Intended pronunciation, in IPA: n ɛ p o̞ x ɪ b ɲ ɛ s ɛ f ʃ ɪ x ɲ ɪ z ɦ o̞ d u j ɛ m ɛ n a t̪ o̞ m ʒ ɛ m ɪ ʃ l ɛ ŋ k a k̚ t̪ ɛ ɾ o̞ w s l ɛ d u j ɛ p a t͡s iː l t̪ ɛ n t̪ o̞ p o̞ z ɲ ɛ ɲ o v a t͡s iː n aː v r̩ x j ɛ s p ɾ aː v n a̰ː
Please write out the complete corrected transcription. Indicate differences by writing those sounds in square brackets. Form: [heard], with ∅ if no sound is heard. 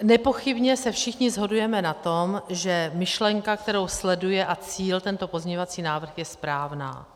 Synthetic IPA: n ɛ p o̞ x ɪ b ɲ ɛ s ɛ f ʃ ɪ x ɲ ɪ z ɦ o̞ d u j ɛ m ɛ n a t̪ o̞ m ʒ ɛ m ɪ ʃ l ɛ ŋ k a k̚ t̪ ɛ ɾ o̞ w s l ɛ d u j ɛ [ʔ] a t͡s iː l t̪ ɛ n t̪ o̞ p o̞ z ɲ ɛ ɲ o v a t͡s iː n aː v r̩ x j ɛ s p ɾ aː v n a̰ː